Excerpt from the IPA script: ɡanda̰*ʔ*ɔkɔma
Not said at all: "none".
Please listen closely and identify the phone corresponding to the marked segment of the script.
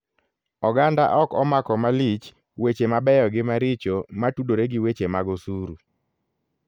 ʔ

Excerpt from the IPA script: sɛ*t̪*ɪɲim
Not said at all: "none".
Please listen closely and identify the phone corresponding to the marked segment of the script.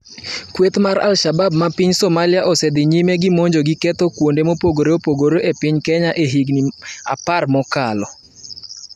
d̪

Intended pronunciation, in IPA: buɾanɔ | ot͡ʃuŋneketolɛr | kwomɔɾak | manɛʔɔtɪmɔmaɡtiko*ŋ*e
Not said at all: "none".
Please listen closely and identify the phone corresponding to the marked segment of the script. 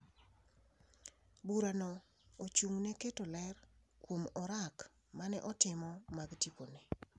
n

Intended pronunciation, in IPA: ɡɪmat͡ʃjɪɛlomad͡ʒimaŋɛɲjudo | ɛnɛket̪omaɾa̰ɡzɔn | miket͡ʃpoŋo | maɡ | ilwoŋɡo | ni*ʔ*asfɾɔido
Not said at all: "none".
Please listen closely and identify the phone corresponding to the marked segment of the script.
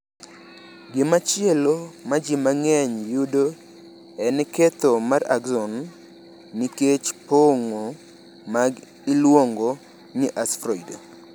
ʔ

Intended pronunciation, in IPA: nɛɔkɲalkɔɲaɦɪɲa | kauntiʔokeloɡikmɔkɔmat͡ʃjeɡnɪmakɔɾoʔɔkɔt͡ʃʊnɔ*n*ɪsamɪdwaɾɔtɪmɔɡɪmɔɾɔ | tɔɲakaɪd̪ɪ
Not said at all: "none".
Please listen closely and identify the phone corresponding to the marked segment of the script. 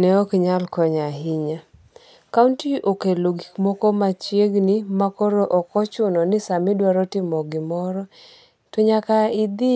n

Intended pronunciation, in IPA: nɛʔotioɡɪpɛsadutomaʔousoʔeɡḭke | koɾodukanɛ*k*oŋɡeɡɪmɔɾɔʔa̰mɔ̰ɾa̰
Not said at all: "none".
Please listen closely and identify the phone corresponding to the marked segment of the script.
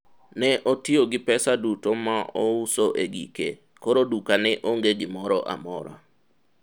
ʔ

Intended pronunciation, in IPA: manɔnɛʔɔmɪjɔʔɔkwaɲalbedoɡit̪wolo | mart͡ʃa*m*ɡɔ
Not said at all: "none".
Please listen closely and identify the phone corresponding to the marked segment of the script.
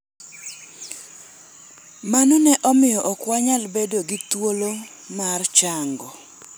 ŋ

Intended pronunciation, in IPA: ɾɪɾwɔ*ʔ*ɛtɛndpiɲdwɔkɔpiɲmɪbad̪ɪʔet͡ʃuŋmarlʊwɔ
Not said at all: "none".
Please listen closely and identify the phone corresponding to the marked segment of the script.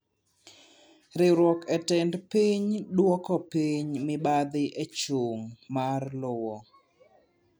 k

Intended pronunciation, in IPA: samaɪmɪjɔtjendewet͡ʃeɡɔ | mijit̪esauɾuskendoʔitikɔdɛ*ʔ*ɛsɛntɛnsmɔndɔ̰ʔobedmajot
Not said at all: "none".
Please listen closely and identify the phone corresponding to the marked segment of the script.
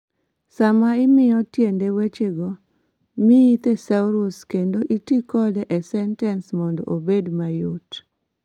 ʔ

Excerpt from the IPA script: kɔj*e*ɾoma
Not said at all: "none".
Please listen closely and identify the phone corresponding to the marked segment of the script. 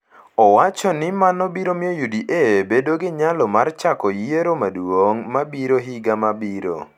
e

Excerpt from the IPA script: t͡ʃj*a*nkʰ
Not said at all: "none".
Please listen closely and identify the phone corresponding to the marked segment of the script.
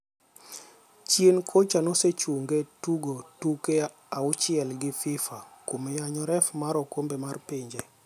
e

